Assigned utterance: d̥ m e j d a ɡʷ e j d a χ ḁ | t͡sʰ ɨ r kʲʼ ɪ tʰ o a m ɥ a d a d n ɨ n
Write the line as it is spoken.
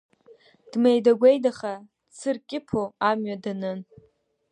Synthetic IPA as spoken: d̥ m e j d a ɡʷ e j d a χ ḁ | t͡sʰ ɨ r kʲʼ ɪ pʰ o a m ɥ a d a n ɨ n